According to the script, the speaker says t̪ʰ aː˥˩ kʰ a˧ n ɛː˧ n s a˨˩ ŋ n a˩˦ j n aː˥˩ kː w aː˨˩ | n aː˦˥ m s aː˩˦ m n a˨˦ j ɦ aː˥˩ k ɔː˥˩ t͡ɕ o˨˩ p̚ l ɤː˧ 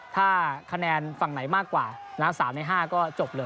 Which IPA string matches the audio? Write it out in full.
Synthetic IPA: t̪ʰ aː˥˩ kʰ a˧ n ɛː˧ n f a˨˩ ŋ n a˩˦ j m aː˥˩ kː w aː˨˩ | n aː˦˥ m s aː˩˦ m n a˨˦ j ɦ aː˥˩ k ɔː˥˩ t͡ɕ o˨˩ p̚ l ɤː˧

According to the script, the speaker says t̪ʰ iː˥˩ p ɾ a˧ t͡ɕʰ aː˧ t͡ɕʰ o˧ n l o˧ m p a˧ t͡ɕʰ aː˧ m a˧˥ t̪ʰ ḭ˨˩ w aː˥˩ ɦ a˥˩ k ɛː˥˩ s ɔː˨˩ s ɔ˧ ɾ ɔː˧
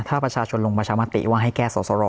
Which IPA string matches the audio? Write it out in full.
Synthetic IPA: t̪ʰ aː˥˩ p ɾ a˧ t͡ɕʰ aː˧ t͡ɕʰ o˧ n l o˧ ŋ p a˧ t͡ɕʰ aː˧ m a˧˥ t̪ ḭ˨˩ w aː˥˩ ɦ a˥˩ k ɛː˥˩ s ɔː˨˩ s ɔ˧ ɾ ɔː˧

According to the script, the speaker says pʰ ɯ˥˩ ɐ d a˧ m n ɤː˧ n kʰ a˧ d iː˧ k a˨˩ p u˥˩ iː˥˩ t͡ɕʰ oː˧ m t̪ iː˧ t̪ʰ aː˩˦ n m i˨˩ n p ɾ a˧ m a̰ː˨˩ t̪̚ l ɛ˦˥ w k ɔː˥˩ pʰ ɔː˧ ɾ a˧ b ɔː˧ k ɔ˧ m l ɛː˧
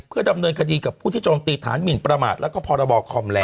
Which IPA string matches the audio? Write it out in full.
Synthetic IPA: pʰ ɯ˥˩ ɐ d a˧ m n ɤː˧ n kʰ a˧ d iː˧ k a˨˩ pʰ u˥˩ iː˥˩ t͡ɕ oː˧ m t̪ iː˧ t̪ʰ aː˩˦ n m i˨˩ n p ɾ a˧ m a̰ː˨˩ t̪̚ l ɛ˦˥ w k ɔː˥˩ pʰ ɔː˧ ɾ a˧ b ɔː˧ kʰ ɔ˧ m l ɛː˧

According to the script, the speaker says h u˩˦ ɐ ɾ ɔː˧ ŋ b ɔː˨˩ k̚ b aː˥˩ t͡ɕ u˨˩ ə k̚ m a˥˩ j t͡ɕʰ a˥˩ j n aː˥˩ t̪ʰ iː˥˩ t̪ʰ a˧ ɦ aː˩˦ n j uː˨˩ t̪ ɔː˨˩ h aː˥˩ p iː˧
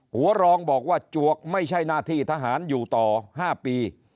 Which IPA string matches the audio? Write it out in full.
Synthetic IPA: h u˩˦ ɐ ɾ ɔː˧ ŋ b ɔː˨˩ k̚ w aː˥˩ t͡ɕ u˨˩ ə k̚ m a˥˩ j t͡ɕʰ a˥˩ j n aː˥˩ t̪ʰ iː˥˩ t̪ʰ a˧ ɦ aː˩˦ n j uː˨˩ t̪ ɔː˨˩ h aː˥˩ p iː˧

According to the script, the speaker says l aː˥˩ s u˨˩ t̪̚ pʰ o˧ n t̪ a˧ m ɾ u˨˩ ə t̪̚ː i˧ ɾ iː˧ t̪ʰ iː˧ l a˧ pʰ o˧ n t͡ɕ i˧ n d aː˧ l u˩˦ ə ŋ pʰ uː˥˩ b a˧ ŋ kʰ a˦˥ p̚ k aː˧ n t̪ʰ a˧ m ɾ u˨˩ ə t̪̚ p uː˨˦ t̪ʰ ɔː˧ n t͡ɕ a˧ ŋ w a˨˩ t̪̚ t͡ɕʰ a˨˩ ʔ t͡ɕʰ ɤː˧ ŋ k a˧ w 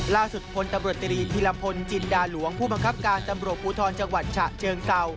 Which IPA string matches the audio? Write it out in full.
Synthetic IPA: l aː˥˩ s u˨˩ t̪̚ pʰ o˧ n t̪ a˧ m ɾ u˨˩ ə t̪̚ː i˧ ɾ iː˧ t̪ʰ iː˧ l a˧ pʰ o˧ n t͡ɕ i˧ n d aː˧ l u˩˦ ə ŋ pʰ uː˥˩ b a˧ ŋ kʰ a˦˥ p̚ k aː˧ n t̪ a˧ m ɾ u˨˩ ə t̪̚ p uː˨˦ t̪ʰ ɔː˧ n t͡ɕ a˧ ŋ w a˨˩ t̪̚ t͡ɕʰ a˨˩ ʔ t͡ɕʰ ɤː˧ ŋ k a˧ w

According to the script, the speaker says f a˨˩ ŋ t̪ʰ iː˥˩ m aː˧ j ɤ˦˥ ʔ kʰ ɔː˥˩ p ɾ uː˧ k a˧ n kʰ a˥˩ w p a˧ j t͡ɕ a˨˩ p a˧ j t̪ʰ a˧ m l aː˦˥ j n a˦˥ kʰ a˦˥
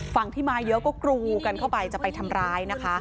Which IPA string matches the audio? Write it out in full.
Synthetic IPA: f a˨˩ ŋ t̪ʰ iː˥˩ m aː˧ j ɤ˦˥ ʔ k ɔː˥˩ k ɾ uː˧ k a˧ n kʰ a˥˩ w p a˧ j t͡ɕ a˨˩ p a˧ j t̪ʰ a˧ m ɾ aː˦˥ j n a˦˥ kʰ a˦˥

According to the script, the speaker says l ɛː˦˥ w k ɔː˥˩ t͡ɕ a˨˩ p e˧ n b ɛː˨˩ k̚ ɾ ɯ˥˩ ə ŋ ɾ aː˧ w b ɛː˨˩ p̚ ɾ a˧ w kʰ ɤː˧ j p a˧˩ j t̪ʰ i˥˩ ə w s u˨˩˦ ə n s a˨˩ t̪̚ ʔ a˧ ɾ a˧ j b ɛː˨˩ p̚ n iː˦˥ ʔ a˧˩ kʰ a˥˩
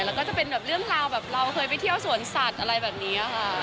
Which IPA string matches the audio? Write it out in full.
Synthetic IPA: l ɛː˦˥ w k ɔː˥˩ t͡ɕ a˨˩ p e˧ n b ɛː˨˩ p̚ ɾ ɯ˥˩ ə ŋ ɾ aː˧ w b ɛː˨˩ p̚ ɾ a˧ w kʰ ɤː˧ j p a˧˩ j t̪ʰ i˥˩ ə w s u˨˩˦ ə n s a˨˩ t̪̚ ʔ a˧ ɾ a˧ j b ɛː˨˩ p̚ n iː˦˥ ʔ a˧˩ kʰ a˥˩

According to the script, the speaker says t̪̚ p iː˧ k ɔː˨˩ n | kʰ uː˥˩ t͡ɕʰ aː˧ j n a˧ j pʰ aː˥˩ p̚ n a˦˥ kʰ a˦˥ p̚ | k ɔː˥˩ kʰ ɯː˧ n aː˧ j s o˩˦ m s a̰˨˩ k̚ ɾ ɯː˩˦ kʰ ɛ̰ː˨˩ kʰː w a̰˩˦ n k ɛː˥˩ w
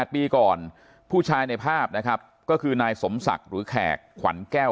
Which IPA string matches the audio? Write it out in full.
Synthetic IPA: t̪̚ p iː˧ k ɔː˨˩ n | pʰ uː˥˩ t͡ɕʰ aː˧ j n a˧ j pʰ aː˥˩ p̚ n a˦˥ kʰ a˦˥ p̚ | k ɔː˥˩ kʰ ɯː˧ n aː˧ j s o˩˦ m s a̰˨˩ k̚ ɾ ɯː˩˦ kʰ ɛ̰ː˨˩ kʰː w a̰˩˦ n k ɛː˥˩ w

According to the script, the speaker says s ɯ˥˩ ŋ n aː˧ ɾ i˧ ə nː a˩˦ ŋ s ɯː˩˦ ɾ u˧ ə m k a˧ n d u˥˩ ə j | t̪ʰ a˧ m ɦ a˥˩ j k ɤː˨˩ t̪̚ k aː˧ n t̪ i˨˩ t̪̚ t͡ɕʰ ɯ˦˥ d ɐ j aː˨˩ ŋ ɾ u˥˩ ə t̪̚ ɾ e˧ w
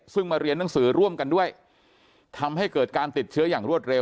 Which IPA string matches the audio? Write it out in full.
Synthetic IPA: s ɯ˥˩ ŋ m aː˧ ɾ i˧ ə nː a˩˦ ŋ s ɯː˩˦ ɾ u˥˩ ə m k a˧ n d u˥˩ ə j | t̪ʰ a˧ m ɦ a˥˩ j k ɤː˨˩ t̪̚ k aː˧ n t̪ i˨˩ t̪̚ t͡ɕʰ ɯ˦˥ ɐ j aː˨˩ ŋ ɾ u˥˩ ə t̪̚ ɾ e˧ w

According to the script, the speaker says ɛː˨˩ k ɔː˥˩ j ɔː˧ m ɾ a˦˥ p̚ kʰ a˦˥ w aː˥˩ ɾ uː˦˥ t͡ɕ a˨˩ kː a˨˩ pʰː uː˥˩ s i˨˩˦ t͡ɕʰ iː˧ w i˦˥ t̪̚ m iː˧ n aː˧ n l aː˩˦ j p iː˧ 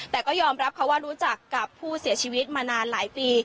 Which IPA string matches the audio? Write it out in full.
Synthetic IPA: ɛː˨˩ k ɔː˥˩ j ɔː˧ m ɾ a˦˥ p̚ kʰ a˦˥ w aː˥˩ ɾ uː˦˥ t͡ɕ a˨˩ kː a˨˩ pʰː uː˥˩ s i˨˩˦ t͡ɕʰ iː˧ w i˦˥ t̪̚ m aː˧ n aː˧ n l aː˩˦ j p iː˧

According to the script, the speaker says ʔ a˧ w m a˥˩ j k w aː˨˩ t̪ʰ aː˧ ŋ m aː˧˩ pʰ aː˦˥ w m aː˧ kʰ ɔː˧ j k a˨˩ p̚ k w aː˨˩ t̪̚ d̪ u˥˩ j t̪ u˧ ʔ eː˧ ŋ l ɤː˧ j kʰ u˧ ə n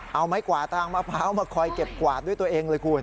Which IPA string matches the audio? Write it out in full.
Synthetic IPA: ʔ a˧ w m a˦˥ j k w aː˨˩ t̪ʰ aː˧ ŋ m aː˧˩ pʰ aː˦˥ w m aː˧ kʰ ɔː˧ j k e˨˩ p̚ k w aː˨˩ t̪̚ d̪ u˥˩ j t̪ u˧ ʔ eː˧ ŋ l ɤː˧ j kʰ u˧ ə n

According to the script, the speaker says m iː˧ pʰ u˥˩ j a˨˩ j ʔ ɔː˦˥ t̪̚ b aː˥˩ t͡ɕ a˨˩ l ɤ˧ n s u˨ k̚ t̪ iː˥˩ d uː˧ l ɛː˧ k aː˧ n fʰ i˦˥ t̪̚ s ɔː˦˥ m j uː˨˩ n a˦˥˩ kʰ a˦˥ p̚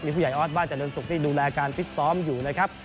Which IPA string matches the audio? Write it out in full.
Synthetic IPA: m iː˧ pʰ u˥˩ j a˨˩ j ʔ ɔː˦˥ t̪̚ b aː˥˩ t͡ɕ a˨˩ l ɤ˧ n s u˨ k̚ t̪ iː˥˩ d uː˧ l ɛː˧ k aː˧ n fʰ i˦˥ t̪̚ s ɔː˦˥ m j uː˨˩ n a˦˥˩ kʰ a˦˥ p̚

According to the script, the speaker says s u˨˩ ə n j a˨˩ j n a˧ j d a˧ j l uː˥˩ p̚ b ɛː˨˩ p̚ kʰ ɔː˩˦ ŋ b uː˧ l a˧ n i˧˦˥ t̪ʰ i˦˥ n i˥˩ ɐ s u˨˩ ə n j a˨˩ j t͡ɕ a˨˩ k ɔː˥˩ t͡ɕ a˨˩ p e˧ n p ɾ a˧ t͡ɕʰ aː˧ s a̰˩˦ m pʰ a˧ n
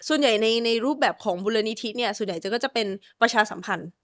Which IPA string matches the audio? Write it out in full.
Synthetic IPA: s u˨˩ ə n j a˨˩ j n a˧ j n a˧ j ɾ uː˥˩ p̚ b ɛː˨˩ p̚ kʰ ɔː˩˦ ŋ b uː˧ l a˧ n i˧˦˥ t̪ʰ i˦˥ n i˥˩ ɐ s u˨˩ ə n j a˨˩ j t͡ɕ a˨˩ k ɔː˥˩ t͡ɕ a˨˩ p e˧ n p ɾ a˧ t͡ɕʰ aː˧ s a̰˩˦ m pʰ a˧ n

